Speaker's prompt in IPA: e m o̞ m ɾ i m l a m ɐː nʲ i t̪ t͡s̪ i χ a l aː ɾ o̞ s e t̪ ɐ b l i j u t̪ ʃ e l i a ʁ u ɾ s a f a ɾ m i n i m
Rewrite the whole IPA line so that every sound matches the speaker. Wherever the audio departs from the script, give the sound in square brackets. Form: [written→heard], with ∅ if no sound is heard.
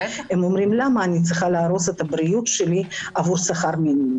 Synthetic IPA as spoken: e m o̞ m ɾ i m l a m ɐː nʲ i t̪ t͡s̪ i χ a l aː ɾ o̞ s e t̪ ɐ b [l→ɾ] i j u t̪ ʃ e l i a [ʁ→v] u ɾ s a [f→χ] a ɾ m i n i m